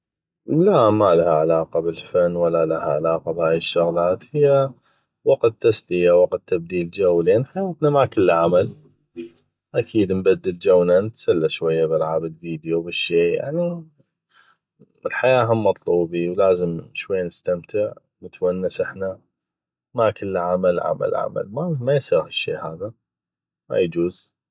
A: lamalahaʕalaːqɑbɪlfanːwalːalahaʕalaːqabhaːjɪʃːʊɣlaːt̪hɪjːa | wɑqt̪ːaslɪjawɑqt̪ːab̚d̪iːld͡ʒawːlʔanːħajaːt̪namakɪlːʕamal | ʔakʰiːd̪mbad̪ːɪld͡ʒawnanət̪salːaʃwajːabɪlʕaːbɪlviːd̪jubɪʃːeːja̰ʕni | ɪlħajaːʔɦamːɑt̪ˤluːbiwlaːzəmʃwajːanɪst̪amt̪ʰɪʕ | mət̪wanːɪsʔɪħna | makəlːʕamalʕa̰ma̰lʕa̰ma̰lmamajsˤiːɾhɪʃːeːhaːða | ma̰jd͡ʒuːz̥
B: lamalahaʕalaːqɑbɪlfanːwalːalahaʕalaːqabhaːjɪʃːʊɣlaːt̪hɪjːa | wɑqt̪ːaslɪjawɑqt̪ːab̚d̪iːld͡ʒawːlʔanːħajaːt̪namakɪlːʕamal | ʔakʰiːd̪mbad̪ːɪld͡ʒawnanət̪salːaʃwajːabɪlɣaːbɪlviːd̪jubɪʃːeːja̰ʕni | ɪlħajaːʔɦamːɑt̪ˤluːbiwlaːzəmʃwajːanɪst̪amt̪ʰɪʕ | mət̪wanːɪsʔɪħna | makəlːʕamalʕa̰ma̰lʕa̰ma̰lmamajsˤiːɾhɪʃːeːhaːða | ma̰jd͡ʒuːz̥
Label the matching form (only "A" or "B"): A